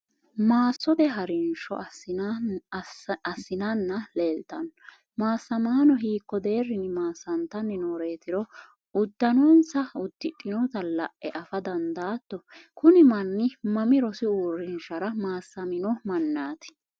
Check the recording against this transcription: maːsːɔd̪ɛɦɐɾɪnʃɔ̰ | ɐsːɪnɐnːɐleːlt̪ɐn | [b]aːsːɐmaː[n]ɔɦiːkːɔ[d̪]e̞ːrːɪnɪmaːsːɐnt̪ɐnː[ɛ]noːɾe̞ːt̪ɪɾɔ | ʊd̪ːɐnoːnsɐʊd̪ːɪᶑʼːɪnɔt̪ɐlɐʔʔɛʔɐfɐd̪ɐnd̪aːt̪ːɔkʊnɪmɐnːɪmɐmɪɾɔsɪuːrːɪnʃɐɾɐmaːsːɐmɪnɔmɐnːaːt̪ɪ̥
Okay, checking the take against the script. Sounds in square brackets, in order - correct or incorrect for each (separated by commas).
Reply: incorrect, correct, correct, correct